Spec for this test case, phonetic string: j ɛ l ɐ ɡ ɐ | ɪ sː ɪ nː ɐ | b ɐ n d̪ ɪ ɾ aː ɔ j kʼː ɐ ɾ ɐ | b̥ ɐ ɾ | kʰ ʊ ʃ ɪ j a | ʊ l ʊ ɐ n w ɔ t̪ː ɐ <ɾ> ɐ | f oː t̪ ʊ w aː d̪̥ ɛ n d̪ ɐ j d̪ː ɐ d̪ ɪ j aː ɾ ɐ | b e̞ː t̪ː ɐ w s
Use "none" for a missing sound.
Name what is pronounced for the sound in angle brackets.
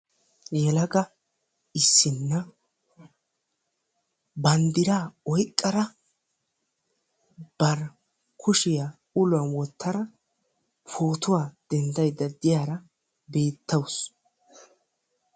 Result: ɾ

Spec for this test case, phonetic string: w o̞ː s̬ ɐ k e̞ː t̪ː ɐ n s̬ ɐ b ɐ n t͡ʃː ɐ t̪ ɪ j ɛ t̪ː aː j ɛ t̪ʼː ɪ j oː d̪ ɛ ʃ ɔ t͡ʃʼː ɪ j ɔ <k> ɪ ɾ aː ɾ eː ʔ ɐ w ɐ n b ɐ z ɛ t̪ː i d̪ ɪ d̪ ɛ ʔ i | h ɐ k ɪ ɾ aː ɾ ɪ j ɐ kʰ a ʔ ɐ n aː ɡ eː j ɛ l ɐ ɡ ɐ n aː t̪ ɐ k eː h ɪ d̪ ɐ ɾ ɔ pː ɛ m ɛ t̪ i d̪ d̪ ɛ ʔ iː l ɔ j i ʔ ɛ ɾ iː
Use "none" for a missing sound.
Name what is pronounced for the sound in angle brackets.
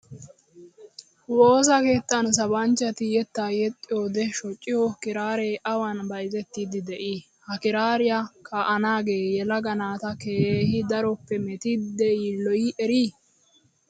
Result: k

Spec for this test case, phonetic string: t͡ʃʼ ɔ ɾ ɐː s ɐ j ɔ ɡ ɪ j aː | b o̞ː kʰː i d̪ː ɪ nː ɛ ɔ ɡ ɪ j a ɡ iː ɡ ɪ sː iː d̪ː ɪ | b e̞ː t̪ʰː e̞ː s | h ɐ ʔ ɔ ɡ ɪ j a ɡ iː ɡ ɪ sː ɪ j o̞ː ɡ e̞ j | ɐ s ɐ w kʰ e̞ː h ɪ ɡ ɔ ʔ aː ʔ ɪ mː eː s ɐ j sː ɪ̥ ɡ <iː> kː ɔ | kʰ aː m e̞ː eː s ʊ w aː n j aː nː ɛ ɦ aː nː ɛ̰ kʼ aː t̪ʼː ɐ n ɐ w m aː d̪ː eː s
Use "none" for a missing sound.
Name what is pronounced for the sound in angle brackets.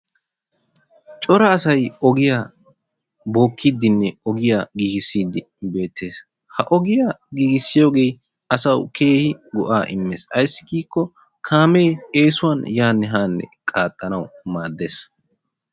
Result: iː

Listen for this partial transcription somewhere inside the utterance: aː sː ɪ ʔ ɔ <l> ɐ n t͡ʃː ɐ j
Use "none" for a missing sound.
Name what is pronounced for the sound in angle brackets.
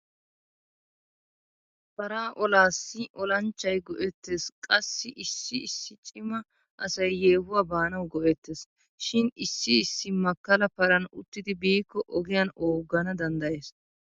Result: l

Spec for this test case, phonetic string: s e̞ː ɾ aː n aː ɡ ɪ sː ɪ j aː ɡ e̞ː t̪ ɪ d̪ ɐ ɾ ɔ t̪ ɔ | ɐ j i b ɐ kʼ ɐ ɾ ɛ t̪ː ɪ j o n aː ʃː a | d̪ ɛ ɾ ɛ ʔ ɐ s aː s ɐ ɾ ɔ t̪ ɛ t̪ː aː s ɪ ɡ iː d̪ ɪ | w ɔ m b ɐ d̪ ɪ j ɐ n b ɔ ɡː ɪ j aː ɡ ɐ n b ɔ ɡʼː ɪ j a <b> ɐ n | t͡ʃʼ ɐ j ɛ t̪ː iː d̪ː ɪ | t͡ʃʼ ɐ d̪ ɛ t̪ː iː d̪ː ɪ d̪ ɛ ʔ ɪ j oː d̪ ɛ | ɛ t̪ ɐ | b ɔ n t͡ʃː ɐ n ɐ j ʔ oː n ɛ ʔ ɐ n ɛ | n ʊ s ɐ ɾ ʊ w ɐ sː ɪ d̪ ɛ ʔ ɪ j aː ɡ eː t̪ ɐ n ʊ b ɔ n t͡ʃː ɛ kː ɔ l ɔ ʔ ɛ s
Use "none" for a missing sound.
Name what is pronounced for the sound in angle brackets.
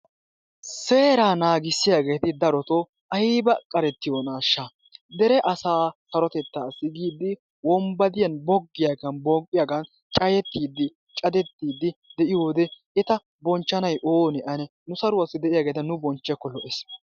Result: ɡ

